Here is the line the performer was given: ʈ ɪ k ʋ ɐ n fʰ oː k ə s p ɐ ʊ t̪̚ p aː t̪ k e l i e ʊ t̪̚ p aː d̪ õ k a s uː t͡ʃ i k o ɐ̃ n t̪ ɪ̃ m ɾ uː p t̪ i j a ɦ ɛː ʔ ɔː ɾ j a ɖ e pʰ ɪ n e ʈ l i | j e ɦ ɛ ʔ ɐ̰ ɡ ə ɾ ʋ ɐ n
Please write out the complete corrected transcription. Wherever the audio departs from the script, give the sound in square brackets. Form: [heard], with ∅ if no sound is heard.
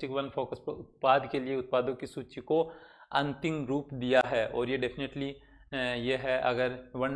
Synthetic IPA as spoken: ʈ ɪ k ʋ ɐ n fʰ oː k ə s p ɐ ʊ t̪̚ p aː [d̪] k e l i e ʊ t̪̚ p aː d̪ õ k [i] s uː t͡ʃ i k o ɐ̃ n t̪ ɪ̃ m ɾ uː p [d̪] i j a ɦ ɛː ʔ ɔː ɾ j [e] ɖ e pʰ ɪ n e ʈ l i | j e ɦ ɛ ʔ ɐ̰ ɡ ə ɾ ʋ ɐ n